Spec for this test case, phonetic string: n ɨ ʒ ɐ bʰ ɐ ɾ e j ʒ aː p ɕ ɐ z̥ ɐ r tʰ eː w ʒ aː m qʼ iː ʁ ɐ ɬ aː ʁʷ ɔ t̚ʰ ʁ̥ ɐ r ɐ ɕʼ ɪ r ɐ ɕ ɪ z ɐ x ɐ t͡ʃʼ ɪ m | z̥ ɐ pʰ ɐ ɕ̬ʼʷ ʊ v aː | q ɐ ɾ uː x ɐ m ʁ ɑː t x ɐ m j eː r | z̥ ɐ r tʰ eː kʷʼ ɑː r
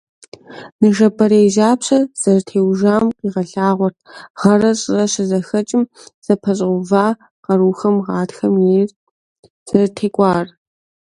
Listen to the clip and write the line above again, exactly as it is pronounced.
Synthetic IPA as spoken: n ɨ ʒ ɐ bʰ ɐ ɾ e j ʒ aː p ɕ ɐ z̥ ɐ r tʰ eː w ʒ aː m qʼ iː ʁ ɐ ɬ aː ʁʷ ɔ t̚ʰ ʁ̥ ɐ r ɐ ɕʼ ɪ r ɐ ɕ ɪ z ɐ x ɐ t͡ʃʼ ɪ m | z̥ ɐ pʰ ɐ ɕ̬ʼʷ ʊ v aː | q ɐ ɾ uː x ɐ m ʁ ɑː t x ɐ m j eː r | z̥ ɐ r tʰ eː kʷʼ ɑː r